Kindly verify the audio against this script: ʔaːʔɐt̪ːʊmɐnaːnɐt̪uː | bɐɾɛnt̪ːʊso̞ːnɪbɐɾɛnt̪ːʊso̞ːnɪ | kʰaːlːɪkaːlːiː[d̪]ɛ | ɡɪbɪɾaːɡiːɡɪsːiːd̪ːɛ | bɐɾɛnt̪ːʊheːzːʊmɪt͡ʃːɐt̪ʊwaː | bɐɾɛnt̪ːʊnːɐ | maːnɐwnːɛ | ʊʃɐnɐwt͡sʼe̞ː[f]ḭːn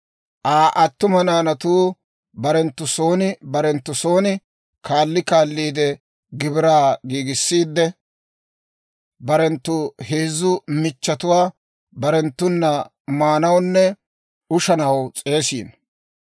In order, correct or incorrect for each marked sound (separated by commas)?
correct, incorrect